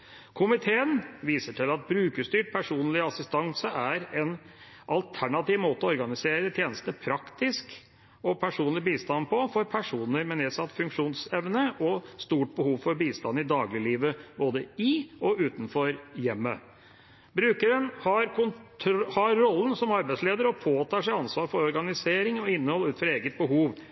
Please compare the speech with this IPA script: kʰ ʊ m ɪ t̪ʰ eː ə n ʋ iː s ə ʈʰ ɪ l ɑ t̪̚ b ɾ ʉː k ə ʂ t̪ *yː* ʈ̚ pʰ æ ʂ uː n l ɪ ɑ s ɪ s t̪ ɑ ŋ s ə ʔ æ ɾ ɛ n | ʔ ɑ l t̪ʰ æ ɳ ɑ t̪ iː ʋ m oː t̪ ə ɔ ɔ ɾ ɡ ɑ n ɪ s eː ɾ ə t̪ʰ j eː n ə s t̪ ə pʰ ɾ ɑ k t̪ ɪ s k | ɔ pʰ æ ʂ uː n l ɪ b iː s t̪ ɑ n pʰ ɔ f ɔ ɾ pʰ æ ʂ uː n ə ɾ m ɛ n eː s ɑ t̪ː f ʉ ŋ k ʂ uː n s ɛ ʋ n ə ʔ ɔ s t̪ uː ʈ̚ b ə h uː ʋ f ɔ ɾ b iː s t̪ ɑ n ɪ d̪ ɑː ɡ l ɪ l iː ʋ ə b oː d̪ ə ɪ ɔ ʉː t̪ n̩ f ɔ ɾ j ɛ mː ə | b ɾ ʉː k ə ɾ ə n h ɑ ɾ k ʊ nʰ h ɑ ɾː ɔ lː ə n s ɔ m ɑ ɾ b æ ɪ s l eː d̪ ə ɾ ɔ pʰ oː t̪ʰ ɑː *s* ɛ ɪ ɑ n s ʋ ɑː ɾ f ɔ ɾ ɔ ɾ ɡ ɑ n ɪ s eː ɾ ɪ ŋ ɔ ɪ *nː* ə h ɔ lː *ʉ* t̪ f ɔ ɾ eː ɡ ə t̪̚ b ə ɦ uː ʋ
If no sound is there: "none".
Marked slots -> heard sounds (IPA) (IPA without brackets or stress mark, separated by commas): yː, ʂ, nː, ʉː